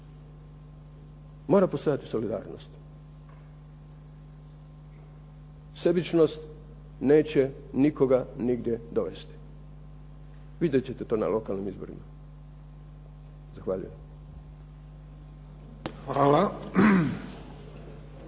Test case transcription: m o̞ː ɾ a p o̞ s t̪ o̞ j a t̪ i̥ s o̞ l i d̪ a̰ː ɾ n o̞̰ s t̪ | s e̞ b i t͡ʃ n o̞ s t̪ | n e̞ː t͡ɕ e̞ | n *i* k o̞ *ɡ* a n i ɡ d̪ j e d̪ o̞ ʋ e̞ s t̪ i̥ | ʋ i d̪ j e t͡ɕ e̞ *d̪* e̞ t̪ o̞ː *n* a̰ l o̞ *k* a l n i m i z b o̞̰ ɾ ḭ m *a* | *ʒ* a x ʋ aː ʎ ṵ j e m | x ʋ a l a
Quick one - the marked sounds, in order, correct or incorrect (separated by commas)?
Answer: correct, correct, incorrect, correct, correct, correct, incorrect